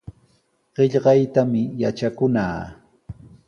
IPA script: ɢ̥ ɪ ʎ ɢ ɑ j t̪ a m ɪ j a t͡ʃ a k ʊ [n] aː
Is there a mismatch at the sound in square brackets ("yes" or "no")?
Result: no